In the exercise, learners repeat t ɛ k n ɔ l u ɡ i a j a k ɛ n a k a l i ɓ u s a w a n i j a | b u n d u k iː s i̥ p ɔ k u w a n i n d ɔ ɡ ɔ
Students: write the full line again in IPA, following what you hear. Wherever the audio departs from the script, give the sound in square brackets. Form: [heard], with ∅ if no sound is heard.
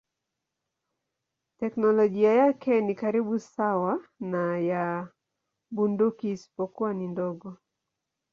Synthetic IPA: t ɛ k n ɔ l [ɔ] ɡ i a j a k ɛ n [i] k a [ɾ] i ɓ u s a w a n [a] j a | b u n d u k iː s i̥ p ɔ k u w a n i n d ɔ ɡ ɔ